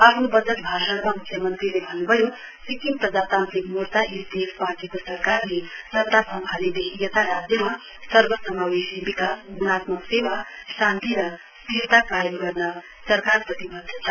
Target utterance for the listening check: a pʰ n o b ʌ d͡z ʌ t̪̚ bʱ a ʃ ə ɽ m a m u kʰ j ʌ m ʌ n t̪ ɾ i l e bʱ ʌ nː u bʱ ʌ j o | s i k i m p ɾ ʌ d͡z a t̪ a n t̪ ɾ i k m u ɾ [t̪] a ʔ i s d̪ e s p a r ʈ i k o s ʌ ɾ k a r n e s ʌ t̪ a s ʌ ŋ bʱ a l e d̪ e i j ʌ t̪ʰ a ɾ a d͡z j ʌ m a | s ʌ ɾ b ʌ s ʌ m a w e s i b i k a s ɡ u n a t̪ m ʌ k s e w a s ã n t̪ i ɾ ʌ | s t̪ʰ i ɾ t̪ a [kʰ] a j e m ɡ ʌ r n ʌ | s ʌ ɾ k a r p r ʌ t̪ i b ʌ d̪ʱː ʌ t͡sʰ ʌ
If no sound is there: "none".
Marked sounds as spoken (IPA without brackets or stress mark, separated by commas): t̪, k